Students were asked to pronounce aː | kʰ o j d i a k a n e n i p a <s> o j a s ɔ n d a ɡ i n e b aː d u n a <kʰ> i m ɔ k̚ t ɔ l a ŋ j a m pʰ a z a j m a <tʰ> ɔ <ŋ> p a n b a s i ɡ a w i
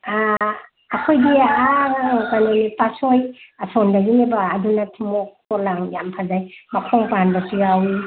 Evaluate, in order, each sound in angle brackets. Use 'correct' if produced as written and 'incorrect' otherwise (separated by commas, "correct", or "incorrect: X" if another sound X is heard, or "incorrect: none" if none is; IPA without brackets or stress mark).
correct, incorrect: tʰ, incorrect: kʰ, correct